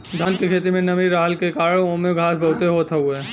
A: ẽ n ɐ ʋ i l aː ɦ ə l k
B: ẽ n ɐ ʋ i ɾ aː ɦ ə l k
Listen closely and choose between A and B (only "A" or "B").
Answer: B